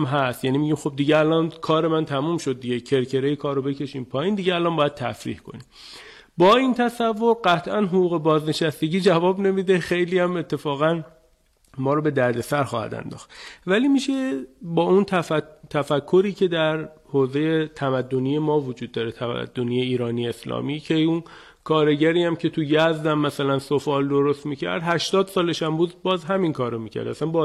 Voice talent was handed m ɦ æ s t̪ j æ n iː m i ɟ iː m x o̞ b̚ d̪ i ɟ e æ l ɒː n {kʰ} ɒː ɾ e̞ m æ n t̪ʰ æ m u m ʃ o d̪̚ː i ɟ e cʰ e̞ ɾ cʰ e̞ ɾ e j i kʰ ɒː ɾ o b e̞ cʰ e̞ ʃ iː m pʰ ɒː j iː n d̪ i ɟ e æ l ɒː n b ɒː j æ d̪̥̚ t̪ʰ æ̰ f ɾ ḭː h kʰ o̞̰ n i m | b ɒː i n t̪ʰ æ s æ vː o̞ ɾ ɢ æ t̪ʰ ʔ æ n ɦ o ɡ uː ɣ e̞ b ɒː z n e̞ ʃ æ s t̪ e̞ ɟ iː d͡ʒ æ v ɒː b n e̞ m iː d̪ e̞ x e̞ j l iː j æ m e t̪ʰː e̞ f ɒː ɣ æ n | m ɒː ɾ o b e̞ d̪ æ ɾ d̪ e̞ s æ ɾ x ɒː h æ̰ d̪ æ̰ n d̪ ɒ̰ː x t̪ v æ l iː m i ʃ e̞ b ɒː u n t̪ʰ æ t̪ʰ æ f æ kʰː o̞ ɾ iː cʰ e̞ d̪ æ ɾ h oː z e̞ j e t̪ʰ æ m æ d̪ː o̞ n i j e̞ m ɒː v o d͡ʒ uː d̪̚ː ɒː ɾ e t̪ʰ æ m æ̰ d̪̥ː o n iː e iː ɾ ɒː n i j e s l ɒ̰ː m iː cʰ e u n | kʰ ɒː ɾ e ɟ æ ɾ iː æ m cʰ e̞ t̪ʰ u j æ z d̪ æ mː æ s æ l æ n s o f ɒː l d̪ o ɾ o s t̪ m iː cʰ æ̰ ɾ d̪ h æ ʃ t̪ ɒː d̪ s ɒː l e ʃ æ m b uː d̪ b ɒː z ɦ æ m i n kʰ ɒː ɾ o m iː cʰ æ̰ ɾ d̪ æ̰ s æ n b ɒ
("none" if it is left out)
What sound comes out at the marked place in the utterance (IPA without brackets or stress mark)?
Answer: kʰ